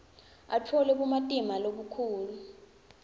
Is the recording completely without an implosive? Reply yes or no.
no